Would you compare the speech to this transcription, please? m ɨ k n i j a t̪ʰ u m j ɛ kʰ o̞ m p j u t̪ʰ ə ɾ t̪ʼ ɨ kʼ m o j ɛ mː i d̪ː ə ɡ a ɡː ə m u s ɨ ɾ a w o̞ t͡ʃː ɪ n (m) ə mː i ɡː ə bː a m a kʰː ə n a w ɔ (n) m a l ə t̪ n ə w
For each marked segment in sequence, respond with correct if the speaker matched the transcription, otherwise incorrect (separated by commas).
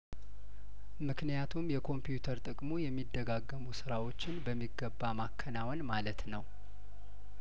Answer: incorrect, correct